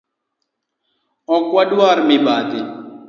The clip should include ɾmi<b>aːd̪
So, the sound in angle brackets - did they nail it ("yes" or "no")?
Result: yes